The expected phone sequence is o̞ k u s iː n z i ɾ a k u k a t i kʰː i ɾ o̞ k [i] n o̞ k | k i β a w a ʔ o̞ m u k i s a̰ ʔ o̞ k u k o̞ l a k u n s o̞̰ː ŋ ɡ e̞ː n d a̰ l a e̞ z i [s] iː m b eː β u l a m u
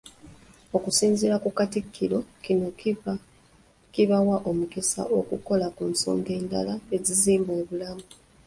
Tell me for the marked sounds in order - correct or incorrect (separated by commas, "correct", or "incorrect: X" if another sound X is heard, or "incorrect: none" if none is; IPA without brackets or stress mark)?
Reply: correct, incorrect: z